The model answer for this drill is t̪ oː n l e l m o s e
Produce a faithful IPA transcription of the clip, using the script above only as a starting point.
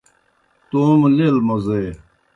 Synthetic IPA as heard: t̪ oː m l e l m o z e